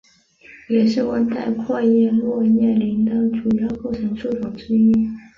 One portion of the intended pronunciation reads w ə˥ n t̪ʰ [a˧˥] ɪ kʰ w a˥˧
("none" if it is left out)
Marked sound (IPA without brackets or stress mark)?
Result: a˥˧